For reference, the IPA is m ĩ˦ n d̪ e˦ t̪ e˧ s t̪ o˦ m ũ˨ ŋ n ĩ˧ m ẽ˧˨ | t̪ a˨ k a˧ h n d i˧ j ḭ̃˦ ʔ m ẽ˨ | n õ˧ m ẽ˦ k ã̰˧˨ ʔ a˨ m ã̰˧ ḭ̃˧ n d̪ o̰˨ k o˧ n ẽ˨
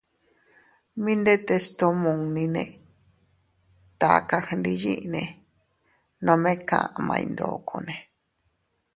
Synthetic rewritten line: m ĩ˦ n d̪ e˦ t̪ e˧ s t̪ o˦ m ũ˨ ŋ n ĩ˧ n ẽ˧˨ | t̪ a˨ k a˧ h n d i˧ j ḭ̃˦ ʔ n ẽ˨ | n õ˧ m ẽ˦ k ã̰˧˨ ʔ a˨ m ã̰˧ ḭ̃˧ n d̪ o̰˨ k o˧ n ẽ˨